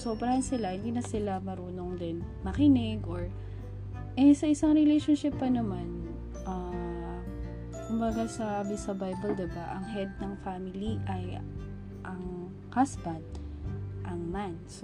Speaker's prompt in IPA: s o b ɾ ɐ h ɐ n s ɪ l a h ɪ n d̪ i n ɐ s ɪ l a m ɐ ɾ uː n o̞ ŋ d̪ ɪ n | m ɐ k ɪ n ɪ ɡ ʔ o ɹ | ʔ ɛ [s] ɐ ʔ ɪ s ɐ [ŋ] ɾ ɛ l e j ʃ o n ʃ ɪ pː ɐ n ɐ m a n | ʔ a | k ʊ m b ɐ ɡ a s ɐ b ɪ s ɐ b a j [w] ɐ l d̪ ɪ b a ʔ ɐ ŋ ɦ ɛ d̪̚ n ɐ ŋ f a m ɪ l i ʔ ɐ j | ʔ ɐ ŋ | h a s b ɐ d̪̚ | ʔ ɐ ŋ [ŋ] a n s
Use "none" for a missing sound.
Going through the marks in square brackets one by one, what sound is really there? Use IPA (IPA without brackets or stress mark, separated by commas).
s, ŋ, b, m